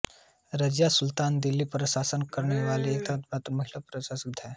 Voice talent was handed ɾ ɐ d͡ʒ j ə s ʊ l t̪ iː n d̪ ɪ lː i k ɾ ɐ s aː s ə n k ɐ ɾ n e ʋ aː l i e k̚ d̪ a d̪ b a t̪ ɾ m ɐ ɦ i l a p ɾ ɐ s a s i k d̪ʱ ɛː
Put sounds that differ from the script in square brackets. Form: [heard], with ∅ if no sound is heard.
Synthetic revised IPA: ɾ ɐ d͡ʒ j [a] s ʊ l t̪ [aː] n d̪ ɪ lː i [p] ɾ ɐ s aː s ə n k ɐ ɾ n e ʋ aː l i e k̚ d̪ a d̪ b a t̪ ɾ m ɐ ɦ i l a p ɾ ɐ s a s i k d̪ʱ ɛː